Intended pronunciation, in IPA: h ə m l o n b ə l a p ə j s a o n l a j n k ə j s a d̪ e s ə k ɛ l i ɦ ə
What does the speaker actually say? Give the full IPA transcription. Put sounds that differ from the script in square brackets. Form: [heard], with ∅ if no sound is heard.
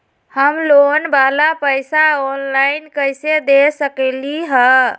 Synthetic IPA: h ə m l o n b [a] l a p ə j s a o n l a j n k ə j s [e] d̪ e s ə k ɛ l i ɦ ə